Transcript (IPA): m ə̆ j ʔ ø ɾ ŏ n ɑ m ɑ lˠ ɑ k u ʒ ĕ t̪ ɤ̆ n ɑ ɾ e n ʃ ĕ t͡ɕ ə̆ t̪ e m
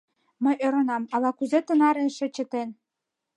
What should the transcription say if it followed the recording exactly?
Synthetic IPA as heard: m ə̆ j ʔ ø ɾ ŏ n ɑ m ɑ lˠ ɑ k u z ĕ t̪ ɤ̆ n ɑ ɾ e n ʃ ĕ t͡ɕ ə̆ t̪ e n

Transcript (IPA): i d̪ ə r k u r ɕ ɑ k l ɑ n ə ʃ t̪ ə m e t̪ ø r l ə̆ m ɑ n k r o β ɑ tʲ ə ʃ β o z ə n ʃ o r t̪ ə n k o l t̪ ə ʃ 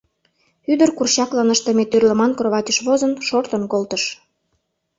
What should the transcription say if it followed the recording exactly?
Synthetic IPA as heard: y d̪ ə r k u r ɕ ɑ k l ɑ n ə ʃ t̪ ə m e t̪ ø r l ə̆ m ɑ n k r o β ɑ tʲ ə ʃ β o z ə n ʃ o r t̪ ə n k o l t̪ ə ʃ

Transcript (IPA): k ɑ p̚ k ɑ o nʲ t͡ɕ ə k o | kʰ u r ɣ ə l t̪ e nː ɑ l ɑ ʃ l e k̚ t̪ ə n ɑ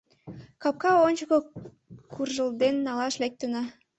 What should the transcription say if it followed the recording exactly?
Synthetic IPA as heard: k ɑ p̚ k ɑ o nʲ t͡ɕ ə k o | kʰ u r ʒ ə l d̪ e nː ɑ l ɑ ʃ l e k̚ t̪ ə n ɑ

